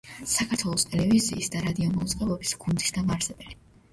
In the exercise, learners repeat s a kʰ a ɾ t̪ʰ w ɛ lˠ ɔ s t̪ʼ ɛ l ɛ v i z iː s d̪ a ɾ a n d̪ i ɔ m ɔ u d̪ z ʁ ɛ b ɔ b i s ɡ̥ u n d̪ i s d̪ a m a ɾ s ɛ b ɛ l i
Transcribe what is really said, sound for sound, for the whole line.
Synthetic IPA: s a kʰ a ɾ t̪ʰ w ɛ lˠ ɔ s t̪ʼ ɛ l ɛ v i z iː s d̪ a ɾ a d̪ i ɔ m ɔ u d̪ z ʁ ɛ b ɔ b i s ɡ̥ u n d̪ i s d̪ a m a ɾ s ɛ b ɛ l i